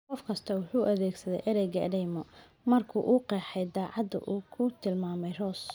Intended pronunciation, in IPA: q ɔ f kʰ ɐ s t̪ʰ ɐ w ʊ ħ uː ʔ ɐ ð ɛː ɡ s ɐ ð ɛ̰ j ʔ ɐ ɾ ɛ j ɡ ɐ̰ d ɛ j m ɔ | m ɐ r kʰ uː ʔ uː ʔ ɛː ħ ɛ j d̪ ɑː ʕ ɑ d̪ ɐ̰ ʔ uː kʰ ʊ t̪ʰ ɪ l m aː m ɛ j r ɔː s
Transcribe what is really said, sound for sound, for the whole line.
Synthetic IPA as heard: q ɔ f kʰ ɐ s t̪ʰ ɐ w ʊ ħ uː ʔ ɐ ð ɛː ɡ s ɐ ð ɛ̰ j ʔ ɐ ɾ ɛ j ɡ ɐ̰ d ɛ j m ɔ | m ɐ r kʰ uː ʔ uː q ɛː ħ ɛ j d̪ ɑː ʕ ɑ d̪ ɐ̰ ʔ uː kʰ ʊ t̪ʰ ɪ l m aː m ɛ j r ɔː s